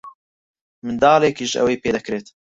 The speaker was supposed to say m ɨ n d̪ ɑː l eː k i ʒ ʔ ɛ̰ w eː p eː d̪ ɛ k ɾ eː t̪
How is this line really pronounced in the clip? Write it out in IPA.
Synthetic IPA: m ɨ n d̪ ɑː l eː k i ʒ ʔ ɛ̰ w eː p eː d̪ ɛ k ɾ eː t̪